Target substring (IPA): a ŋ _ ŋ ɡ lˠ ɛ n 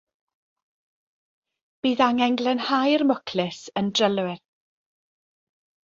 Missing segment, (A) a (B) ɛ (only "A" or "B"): B